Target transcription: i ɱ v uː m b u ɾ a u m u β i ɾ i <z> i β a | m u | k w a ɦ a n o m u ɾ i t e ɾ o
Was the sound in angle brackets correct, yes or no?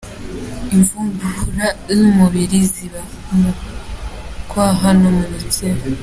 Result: yes